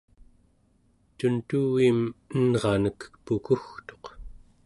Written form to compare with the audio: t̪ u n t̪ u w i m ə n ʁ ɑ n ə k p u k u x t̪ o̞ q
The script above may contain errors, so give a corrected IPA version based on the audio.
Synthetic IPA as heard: t̪ u n t̪ u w i m ə n ʁ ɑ n ə k p u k u x t̪ o̞ q